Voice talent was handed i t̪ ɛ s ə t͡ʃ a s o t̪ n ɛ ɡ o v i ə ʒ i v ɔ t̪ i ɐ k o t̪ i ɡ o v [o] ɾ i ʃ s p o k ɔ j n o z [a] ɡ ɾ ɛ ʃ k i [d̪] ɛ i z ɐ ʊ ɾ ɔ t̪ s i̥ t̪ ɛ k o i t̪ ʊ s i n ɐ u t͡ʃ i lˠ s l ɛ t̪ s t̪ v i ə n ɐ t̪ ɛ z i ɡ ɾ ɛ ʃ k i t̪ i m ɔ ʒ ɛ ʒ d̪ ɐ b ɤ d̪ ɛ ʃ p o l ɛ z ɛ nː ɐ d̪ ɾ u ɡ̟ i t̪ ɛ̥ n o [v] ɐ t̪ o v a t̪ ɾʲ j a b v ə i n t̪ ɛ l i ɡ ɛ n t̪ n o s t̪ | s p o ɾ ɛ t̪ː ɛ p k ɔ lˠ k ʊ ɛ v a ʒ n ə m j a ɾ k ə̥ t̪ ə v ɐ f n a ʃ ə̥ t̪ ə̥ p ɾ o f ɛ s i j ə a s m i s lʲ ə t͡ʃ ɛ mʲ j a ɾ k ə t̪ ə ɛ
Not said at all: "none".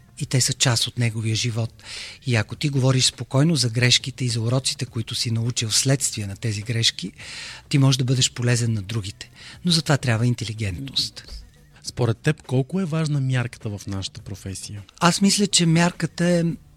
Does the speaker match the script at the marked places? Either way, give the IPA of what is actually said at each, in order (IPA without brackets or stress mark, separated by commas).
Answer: ɔ, ɐ, t̪, z